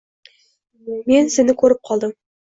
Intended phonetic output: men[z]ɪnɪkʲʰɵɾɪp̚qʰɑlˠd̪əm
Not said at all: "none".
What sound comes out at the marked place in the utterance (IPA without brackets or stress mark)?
s